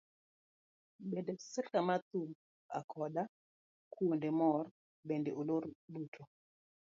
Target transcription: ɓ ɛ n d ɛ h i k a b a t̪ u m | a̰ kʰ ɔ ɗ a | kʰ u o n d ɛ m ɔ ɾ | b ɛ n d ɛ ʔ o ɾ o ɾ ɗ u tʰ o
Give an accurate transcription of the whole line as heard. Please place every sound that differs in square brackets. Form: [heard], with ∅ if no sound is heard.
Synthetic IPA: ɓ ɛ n d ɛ [s] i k a [m] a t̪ u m | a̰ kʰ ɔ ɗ a | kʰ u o n d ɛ m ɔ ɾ | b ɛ n d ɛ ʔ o [l] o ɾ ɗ u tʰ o